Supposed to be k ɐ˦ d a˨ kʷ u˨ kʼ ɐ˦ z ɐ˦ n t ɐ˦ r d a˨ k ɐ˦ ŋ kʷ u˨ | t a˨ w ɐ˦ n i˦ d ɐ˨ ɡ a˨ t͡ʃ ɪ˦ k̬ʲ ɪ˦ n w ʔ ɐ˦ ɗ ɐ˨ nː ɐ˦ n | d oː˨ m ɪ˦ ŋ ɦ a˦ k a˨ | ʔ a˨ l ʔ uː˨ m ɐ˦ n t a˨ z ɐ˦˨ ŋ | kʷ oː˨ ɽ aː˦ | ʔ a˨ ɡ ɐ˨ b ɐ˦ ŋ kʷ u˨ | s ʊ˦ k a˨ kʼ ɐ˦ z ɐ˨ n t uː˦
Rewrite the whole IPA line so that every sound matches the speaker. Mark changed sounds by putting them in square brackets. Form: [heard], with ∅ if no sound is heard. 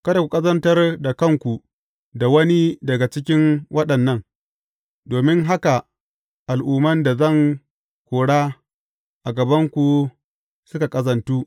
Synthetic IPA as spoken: k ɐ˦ d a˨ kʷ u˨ kʼ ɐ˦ z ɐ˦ n t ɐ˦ r d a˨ k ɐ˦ ŋ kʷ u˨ | [d] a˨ w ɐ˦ n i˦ d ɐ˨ ɡ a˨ t͡ʃ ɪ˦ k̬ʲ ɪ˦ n w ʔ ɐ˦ ɗ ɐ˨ nː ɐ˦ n | d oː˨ m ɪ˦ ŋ ɦ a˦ k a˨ | ʔ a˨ l ʔ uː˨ m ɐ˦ n [d] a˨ z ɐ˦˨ ŋ | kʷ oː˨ ɽ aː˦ | ʔ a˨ ɡ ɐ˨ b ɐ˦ ŋ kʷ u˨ | s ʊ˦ k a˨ kʼ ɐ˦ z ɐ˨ n t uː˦